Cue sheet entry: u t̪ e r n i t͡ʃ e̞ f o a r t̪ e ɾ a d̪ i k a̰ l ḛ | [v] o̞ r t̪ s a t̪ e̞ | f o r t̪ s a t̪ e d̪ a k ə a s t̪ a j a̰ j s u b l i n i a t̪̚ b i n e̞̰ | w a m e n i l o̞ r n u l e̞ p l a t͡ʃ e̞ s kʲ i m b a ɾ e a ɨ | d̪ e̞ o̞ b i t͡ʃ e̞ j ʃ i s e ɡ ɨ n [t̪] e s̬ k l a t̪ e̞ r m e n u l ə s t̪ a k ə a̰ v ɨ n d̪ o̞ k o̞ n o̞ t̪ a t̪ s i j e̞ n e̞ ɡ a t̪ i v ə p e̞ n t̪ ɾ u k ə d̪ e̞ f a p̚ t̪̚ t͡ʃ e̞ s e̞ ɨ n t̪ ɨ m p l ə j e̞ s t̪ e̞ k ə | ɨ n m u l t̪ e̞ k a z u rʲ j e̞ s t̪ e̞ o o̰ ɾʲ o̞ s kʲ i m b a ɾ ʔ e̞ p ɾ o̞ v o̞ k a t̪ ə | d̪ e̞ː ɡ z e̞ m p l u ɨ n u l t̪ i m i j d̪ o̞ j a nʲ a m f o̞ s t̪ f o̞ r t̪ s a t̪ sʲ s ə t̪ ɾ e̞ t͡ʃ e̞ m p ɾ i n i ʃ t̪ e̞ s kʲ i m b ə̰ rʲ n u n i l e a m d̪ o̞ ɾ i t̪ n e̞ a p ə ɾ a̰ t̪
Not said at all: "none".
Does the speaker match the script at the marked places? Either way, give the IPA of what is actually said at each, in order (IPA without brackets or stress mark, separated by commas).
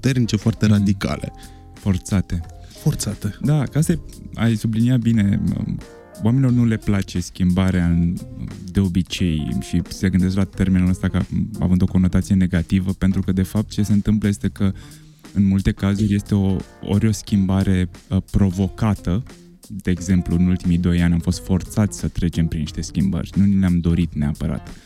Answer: f, d̪